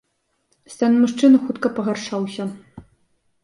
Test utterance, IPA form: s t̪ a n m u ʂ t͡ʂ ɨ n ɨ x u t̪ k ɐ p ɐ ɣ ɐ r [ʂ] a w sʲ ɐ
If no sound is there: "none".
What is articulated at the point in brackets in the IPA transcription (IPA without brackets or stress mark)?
ʂ